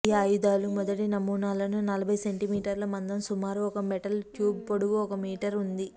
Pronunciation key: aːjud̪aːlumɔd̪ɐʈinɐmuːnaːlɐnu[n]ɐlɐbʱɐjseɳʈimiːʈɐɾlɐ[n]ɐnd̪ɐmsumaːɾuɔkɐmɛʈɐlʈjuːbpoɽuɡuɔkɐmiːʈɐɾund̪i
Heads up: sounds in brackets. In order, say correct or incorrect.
correct, incorrect: m

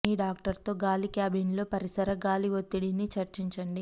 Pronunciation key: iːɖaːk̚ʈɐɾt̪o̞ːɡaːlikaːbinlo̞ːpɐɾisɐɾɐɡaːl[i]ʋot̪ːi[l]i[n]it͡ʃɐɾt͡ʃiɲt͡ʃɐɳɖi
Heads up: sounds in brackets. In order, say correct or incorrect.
correct, incorrect: ɽ, correct

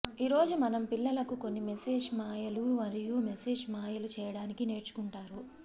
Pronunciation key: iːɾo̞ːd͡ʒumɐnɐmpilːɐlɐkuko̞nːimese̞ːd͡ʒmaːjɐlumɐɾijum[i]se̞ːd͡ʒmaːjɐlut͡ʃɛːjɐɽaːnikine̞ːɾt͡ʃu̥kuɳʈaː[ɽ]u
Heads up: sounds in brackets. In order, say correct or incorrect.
incorrect: e, incorrect: ɾ

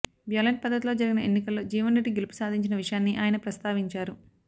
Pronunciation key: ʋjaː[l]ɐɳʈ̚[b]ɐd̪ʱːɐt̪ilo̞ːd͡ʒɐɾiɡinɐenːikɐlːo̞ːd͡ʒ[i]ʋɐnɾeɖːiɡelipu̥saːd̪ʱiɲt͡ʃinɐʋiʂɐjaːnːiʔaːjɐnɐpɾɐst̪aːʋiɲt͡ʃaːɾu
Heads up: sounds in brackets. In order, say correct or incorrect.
correct, incorrect: p, incorrect: iː

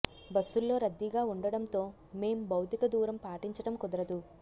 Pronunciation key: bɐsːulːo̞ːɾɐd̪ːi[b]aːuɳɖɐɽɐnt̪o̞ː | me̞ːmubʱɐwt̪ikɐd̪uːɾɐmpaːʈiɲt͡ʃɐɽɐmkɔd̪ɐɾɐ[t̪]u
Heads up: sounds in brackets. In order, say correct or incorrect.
incorrect: ɡ, incorrect: d̪

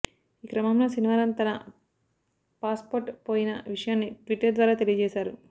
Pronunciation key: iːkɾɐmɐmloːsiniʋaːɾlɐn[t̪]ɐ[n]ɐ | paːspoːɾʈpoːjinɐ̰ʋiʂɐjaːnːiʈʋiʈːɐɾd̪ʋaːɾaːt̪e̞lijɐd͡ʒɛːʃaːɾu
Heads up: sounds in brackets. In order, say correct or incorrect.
correct, correct

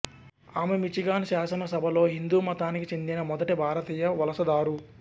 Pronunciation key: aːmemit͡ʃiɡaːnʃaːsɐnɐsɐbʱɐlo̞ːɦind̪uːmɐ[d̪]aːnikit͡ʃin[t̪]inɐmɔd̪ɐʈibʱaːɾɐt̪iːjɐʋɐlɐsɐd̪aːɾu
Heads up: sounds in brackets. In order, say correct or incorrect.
incorrect: t̪, incorrect: d̪

